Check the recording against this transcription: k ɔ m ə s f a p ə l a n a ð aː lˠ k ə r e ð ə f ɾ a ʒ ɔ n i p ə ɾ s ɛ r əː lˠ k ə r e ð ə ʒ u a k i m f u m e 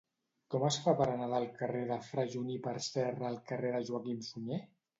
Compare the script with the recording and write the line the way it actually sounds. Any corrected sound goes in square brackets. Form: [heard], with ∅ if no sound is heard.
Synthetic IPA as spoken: k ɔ m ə s f a p ə [ɾ] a n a ð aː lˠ k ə r e ð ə f ɾ a ʒ [u] n i p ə ɾ s ɛ r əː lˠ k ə r e ð ə ʒ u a k i m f u [ɲ] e

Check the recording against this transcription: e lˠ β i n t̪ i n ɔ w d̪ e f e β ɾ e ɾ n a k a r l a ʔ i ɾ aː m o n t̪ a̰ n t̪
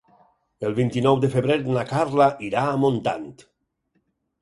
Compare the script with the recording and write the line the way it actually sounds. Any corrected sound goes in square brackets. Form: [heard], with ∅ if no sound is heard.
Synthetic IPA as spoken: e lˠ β i n t̪ i n ɔ w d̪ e f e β ɾ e ɾ n a k a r l a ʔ i ɾ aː m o n t̪ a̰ n t̪

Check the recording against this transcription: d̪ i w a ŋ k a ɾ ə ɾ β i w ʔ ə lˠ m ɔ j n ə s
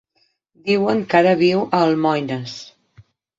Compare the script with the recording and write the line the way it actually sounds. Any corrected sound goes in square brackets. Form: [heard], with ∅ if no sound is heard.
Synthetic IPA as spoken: d̪ i w [ə] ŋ k a ɾ ə [∅] β i w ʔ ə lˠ m ɔ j n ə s

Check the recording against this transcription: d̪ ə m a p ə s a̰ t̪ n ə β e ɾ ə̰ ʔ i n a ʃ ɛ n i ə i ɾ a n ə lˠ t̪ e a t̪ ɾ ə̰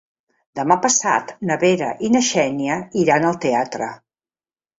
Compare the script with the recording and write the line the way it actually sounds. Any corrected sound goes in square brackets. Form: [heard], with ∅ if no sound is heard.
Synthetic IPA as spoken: d̪ ə m a p ə s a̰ t̪ n ə β e ɾ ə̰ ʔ i n [ə] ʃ ɛ n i ə i ɾ a n ə lˠ t̪ e a t̪ ɾ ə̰

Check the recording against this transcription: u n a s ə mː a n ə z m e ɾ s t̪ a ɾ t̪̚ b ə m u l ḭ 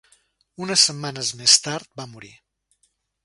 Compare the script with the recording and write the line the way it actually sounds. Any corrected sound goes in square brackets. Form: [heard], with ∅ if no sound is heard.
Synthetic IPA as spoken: u n [ə] s ə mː a n ə z m e [∅] s t̪ a ɾ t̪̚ b [a] m u [ɾ] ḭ

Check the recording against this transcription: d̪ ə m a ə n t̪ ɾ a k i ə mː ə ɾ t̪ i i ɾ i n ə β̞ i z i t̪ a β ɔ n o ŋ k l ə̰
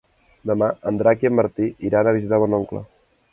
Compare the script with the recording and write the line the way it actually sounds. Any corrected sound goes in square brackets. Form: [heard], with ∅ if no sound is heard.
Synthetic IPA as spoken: d̪ ə m a ə n [d̪] ɾ a k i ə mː ə ɾ t̪ i i ɾ [a] n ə β̞ i z i t̪ a β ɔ n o ŋ k l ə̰

